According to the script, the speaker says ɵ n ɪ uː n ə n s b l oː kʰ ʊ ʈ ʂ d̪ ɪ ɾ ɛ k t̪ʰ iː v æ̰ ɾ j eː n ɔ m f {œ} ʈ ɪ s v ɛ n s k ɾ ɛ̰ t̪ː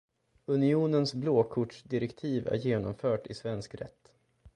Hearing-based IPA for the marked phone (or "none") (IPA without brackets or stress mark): œː